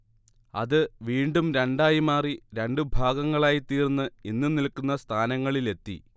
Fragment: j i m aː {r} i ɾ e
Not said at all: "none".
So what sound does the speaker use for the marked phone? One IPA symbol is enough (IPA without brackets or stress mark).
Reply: r